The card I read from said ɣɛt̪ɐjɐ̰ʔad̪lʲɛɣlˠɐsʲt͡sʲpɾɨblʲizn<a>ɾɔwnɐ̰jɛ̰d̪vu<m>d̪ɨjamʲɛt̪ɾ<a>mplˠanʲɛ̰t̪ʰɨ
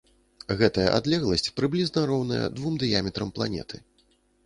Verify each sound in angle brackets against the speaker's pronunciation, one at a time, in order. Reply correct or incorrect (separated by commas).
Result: incorrect, correct, incorrect